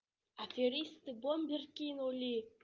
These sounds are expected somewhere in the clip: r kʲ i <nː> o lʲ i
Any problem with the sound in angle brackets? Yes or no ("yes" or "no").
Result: yes